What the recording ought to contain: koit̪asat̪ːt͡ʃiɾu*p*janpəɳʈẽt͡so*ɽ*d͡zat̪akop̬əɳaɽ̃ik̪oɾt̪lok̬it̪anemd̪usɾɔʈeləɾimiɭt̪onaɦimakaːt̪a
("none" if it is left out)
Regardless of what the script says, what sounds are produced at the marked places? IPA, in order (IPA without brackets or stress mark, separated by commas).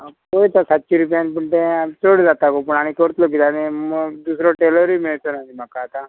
p, ɽ